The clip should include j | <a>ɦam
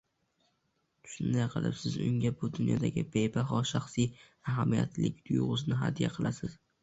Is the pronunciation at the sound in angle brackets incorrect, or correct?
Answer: correct